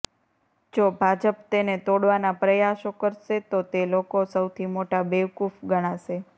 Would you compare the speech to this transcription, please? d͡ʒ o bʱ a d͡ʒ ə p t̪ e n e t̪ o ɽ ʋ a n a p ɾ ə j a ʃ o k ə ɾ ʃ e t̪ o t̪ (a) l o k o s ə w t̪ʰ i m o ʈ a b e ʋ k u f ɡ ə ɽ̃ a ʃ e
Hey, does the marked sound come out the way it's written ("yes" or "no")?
no